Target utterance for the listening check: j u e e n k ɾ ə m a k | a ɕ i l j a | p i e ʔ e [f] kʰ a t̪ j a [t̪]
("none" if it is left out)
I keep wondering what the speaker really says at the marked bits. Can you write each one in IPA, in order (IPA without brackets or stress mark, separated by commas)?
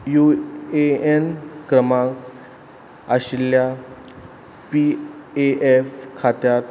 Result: f, t̪